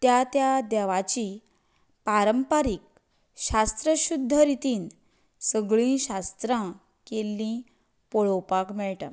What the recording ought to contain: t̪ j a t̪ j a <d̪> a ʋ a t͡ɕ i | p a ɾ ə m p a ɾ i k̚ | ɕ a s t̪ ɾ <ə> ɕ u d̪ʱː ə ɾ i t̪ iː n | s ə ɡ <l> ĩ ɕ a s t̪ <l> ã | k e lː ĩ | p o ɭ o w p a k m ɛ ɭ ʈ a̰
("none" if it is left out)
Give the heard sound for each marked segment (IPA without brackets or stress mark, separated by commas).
d̪, ə, ɭ, ɾ